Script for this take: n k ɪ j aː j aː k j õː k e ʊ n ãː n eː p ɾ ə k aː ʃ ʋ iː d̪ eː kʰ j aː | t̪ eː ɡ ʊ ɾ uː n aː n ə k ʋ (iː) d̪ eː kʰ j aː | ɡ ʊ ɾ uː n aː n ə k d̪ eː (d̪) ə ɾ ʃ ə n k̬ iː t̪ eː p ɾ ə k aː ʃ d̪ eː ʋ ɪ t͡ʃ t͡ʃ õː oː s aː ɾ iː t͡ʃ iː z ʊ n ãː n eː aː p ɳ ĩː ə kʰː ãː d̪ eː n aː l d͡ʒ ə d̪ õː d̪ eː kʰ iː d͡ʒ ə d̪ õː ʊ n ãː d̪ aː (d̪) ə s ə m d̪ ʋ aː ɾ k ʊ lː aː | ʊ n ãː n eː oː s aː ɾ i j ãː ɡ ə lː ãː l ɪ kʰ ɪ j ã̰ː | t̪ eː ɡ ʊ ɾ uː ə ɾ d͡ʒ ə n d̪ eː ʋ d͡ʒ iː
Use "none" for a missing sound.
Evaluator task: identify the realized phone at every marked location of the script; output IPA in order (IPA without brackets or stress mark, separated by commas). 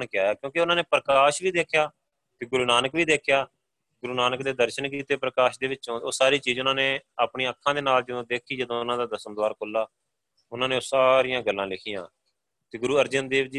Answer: iː, d̪, d̪